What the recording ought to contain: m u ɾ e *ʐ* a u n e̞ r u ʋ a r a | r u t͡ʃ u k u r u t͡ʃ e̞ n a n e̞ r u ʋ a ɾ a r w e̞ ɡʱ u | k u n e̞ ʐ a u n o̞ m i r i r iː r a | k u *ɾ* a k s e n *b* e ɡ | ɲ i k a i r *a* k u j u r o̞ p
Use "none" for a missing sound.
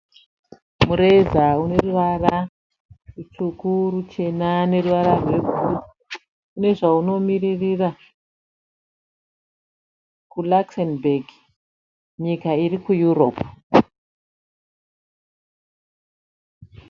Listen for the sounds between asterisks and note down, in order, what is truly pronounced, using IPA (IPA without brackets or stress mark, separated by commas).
z, l, b, i